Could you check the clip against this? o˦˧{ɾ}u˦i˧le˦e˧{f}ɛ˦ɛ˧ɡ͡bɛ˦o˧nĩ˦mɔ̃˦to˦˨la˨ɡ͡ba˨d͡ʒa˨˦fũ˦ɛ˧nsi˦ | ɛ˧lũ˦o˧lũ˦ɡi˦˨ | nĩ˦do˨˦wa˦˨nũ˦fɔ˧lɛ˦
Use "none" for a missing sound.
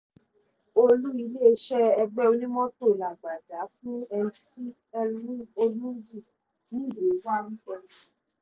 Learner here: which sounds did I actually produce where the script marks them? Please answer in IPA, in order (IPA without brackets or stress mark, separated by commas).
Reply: l, ʃ